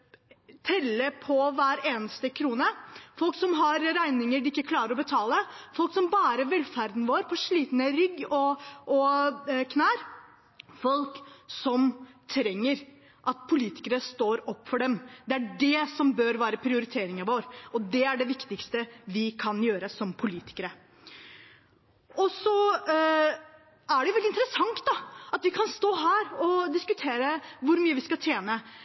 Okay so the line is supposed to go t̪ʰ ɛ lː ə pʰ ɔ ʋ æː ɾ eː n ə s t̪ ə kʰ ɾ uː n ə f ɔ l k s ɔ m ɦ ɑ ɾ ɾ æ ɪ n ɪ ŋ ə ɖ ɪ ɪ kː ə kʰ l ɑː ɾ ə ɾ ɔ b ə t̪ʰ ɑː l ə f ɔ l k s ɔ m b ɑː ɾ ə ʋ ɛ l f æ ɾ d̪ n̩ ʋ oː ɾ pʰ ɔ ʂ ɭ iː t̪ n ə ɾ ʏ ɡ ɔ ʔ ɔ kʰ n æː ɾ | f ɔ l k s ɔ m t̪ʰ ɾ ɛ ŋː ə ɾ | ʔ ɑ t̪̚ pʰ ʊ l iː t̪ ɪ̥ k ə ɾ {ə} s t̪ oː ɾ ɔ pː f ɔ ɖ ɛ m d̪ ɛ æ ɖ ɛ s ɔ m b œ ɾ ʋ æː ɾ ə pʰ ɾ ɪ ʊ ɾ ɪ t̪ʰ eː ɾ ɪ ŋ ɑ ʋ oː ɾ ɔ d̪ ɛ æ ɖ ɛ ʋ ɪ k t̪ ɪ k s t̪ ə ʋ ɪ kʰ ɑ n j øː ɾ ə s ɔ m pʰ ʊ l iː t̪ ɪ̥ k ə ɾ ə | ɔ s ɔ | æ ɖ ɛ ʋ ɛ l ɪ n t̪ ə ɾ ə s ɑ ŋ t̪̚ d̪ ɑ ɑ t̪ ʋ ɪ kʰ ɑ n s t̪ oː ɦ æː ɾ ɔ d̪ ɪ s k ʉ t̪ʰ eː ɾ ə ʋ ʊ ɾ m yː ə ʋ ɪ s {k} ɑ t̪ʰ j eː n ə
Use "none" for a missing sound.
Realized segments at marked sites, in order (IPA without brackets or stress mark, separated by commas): ə, k